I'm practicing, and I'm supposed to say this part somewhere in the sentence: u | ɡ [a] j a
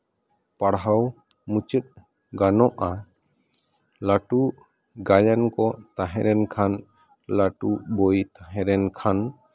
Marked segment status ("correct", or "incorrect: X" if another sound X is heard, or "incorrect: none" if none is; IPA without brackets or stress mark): correct